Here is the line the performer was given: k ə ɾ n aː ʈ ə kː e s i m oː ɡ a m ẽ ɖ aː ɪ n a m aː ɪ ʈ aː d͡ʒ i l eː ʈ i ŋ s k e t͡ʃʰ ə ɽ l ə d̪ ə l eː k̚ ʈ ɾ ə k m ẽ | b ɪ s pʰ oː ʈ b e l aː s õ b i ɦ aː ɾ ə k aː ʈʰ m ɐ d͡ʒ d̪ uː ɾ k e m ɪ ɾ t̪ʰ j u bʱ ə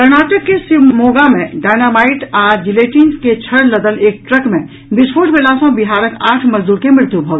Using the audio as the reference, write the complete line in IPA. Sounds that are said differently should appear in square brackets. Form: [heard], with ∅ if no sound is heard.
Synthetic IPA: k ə ɾ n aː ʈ ə kː e s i m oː ɡ a m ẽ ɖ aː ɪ n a m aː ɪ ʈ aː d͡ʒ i l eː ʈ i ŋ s k e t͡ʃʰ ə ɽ l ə d̪ ə l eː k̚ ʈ ɾ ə k m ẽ | b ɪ s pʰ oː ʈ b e l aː s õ b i ɦ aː ɾ ə k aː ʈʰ m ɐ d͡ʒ d̪ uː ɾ k e m ɪ ɾ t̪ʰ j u bʱ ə